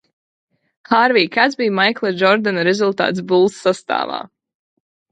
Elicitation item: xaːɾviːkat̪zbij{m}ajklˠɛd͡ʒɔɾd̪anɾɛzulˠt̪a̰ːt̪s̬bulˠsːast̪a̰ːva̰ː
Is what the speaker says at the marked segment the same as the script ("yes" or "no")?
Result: yes